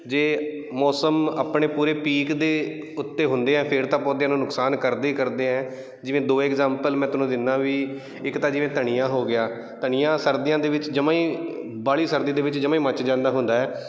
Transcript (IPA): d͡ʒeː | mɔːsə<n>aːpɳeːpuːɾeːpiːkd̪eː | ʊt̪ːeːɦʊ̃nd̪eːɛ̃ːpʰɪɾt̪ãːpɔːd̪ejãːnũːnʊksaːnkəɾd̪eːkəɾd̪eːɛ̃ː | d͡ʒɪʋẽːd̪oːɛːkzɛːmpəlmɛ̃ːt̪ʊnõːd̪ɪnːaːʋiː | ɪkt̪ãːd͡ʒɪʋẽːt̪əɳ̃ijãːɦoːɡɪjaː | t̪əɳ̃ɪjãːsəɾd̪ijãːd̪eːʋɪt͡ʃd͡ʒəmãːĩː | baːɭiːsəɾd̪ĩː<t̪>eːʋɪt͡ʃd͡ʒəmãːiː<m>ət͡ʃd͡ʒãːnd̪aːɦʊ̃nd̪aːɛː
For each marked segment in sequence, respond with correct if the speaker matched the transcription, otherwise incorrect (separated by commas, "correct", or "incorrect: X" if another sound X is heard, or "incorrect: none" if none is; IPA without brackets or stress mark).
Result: incorrect: m, incorrect: d̪, correct